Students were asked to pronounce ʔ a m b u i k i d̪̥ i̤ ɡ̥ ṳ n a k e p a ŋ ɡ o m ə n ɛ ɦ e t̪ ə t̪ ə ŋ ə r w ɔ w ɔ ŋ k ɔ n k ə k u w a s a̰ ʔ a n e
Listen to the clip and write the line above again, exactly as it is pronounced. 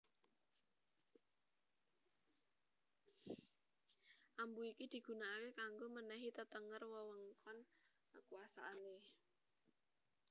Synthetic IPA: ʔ a m b u i k i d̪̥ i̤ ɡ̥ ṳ n a k e k a ŋ ɡ o m ə n ɛ ɦ i t̪ ə t̪ ə ŋ ə r w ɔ w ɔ ŋ k ɔ n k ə k u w a s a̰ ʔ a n e